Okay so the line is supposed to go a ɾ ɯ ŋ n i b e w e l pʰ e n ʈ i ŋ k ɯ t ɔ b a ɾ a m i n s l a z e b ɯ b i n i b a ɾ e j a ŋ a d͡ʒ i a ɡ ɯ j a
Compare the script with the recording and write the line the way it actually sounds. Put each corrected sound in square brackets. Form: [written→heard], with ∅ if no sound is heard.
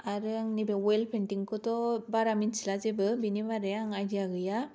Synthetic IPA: a ɾ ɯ ŋ n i b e w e l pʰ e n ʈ i ŋ k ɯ t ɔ b a ɾ a m i n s l a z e b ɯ b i n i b a ɾ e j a ŋ a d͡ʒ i a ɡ ɯ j a